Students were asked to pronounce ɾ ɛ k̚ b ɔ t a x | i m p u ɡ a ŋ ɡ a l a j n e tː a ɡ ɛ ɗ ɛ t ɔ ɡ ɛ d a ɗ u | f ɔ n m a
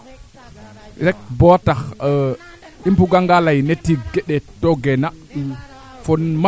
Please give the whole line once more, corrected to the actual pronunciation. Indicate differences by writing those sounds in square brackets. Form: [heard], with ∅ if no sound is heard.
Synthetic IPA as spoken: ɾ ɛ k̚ b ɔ t a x | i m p u ɡ a ŋ ɡ a l a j n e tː [i] ɡ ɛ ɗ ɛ t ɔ ɡ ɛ [n] a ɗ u | f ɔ n m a